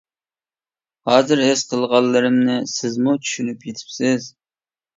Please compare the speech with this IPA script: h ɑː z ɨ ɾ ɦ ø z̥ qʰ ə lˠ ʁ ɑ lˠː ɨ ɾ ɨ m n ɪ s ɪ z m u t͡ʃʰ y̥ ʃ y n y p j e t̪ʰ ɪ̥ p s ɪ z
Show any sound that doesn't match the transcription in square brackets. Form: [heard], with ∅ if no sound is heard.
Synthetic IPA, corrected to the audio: h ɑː z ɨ ɾ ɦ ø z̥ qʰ ə lˠ ʁ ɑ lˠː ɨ ɾ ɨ m n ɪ s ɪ z m u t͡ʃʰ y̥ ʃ y n y p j e t̪ʰ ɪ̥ p s ɪ z

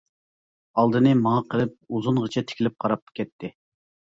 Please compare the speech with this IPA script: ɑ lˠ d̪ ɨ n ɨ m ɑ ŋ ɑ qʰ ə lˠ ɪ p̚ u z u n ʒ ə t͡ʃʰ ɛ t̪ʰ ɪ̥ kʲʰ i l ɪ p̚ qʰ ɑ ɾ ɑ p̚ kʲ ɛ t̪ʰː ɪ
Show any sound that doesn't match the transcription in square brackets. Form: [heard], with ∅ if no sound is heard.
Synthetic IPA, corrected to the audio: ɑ lˠ d̪ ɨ n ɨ m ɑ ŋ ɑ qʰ ə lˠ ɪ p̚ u z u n [ʁ] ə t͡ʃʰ ɛ t̪ʰ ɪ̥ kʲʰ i l ɪ p̚ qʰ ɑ ɾ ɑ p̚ kʲ ɛ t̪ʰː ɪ

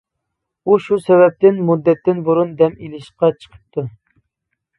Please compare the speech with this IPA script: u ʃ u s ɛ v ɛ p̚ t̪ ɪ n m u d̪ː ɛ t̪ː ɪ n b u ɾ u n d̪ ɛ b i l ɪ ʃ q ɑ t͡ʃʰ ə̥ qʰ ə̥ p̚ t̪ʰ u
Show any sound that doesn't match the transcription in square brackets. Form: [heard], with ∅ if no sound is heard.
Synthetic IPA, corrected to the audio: u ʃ u s ɛ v ɛ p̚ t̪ ɪ n m u d̪ː ɛ t̪ː ɪ n b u ɾ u n d̪ ɛ [m] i l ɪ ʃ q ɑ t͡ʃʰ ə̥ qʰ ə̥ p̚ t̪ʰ u

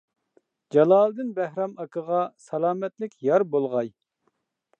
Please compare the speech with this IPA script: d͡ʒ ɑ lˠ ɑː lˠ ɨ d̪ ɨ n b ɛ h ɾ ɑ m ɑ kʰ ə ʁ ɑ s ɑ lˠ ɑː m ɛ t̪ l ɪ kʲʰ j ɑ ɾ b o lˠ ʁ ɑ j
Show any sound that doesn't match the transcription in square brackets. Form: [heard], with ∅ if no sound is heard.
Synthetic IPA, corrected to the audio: d͡ʒ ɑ lˠ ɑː lˠ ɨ d̪ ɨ n b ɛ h ɾ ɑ m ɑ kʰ ə ʁ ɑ s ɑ lˠ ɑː m ɛ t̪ l ɪ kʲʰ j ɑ ɾ b o lˠ ʁ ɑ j

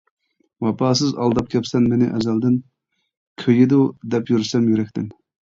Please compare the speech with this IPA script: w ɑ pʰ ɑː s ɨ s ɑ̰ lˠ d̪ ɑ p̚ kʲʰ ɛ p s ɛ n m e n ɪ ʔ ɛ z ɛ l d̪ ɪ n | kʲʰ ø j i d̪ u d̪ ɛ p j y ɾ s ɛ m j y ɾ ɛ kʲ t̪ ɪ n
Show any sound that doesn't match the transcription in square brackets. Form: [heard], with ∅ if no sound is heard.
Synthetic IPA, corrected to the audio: w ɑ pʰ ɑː s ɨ [z] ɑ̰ lˠ d̪ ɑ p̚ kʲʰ ɛ p s ɛ n m e n ɪ ʔ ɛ z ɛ l d̪ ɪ n | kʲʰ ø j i d̪ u d̪ ɛ p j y ɾ s ɛ m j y ɾ ɛ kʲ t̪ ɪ n

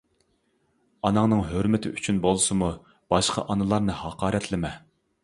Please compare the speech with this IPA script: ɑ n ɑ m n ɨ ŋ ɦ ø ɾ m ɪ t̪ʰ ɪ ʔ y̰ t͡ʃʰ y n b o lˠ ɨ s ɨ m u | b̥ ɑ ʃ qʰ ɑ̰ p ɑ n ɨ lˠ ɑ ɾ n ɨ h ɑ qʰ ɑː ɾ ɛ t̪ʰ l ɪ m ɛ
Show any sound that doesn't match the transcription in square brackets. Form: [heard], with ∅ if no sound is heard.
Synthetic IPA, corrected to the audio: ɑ n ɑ [ŋ] n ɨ ŋ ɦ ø ɾ m ɪ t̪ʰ ɪ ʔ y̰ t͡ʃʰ y n b o lˠ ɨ s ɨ m u | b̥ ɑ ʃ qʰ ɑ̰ [ʔ] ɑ n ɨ lˠ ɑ ɾ n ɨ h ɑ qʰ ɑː ɾ ɛ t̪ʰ l ɪ m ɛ

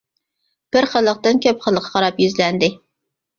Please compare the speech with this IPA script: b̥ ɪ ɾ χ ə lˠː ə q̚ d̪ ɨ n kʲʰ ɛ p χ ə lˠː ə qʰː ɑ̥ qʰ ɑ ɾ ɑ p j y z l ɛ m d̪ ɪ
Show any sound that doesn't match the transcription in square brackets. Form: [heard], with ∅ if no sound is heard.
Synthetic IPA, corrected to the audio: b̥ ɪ ɾ χ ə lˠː ə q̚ [t̪] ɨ n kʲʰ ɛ p χ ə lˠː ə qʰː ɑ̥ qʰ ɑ ɾ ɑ p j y z l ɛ [n] d̪ ɪ

